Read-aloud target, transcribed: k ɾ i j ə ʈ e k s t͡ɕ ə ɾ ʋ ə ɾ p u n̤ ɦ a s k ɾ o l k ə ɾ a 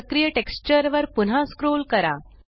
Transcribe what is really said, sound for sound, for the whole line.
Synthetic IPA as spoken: k ɾ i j ə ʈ e k s t͡ɕ ə ɾ ʋ ə ɾ p u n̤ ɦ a s k ɾ o l k ə ɾ a